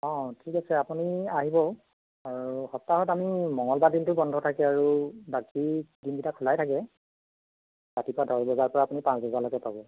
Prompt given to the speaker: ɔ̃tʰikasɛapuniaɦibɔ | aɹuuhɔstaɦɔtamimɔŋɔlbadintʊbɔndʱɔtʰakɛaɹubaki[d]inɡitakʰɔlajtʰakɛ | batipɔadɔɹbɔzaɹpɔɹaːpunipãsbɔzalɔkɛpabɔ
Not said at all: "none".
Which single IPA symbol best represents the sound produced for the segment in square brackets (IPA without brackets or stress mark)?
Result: d